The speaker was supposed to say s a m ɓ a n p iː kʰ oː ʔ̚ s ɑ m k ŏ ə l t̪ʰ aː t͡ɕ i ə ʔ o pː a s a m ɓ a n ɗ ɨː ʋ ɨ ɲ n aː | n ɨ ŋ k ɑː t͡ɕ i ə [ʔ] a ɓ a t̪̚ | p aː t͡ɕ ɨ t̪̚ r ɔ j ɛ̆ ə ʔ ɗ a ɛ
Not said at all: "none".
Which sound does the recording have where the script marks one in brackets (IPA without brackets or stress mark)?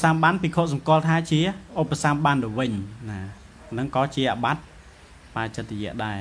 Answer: ʔ